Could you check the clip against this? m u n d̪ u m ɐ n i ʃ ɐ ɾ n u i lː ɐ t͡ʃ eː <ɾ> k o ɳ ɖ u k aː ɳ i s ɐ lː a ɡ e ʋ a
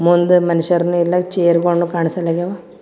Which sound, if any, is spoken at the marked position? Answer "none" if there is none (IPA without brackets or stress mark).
ɾ